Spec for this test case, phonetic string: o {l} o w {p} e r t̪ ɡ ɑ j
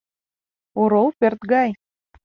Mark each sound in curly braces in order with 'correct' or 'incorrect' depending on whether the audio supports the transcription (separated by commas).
incorrect, correct